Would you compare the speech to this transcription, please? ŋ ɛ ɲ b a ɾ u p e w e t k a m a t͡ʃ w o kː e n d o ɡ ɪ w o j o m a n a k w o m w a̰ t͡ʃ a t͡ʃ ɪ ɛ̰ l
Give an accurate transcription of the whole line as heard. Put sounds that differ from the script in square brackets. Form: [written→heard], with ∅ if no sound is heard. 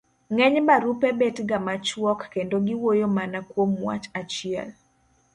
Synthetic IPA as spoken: ŋ ɛ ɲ b a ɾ u p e [w→b] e t [k→ɡ] a m a t͡ʃ w [o→ɔ] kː e n d o ɡ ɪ w o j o m a n a k w o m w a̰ t͡ʃ a t͡ʃ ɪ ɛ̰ l